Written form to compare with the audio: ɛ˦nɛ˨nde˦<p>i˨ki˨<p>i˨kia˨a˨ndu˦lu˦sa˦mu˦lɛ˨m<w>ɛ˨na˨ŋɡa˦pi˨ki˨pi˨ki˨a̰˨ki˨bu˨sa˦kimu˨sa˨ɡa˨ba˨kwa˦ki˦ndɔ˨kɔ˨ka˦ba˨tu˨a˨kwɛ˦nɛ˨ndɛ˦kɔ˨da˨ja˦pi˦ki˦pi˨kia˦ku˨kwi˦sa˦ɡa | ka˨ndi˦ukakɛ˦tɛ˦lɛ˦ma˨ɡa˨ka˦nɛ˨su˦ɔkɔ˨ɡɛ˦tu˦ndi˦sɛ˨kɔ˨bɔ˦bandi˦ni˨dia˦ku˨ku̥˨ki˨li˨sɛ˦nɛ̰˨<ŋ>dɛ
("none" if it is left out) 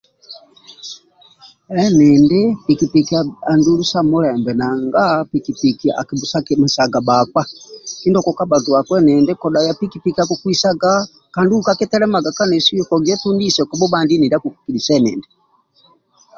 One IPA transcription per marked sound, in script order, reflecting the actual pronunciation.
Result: p, p, b, n

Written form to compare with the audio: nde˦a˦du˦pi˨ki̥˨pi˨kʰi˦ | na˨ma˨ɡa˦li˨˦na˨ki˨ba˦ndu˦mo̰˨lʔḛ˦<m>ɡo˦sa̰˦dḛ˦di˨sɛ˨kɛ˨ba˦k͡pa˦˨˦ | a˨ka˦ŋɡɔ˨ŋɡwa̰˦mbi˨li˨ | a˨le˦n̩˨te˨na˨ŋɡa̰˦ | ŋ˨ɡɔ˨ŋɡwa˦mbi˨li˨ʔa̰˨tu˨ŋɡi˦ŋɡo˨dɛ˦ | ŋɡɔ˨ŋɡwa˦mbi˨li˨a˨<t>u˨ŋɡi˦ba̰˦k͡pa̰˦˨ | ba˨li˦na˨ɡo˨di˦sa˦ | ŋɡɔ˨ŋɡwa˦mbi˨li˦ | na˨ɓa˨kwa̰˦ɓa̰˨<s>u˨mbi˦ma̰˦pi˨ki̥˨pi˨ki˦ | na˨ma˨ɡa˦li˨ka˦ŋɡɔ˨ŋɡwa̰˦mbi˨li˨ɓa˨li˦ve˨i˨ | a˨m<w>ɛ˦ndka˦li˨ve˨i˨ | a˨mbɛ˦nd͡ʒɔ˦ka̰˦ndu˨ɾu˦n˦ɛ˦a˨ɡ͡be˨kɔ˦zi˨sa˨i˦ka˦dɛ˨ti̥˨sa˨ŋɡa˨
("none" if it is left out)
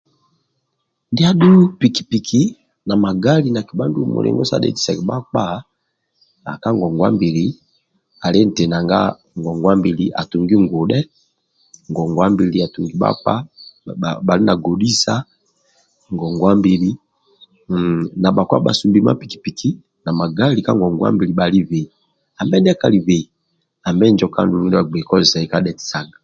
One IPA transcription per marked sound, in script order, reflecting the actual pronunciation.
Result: ŋ, t, s, b

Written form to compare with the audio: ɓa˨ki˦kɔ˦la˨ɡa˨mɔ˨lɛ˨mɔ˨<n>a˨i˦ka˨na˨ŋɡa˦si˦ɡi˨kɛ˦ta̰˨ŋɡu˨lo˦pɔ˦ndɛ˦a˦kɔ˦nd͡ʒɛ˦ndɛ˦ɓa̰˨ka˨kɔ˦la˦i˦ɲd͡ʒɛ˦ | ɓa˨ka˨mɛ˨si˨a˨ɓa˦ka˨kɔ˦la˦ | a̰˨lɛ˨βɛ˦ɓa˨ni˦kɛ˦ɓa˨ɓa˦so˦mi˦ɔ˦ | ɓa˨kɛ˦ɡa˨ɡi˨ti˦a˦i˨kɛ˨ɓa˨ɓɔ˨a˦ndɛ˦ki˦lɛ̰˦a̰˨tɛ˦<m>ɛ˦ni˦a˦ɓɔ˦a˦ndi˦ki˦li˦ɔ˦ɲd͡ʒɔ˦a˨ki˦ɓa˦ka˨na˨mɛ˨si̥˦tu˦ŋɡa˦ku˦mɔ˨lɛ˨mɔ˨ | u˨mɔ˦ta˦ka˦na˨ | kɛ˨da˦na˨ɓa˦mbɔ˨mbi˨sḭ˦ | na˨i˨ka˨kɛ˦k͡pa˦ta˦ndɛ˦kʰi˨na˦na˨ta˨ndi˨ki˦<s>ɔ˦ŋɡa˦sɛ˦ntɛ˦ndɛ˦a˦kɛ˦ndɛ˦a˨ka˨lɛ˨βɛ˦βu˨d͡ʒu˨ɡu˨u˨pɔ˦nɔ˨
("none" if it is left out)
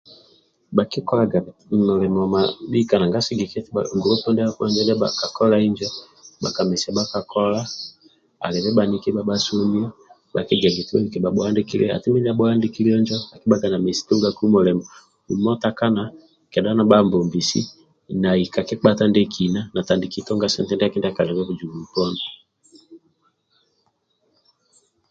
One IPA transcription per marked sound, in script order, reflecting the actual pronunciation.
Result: m, m, t

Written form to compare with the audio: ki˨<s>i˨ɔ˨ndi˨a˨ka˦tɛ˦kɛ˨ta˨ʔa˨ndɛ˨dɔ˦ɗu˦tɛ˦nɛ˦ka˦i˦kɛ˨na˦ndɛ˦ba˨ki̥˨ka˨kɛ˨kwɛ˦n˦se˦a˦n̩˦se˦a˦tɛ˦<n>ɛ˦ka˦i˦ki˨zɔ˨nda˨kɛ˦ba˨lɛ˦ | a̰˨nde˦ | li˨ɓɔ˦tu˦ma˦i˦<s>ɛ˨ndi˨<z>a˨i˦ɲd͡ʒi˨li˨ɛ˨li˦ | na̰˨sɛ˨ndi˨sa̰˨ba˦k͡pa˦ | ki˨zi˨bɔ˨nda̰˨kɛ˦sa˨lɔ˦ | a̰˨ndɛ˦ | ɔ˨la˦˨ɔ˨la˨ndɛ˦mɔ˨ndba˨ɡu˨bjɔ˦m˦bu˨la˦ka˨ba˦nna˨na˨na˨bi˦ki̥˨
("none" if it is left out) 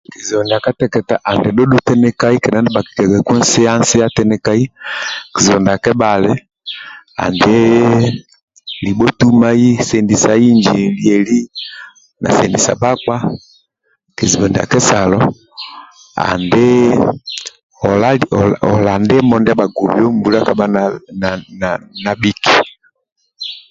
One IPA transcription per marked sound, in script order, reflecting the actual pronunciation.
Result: z, n, s, s

